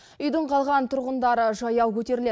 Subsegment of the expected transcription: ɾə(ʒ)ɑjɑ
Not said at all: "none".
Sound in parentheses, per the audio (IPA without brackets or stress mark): ʒ